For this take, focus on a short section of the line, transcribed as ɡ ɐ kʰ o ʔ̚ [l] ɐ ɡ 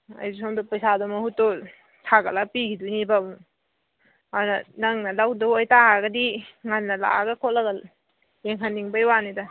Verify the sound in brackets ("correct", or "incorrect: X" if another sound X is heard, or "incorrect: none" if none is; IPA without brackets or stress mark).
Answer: correct